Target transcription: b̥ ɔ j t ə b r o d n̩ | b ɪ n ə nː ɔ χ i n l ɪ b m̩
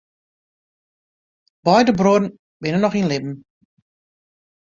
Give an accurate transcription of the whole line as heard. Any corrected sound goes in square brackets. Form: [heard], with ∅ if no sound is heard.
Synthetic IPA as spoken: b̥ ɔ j [d] ə b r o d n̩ | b ɪ n ə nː ɔ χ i n l ɪ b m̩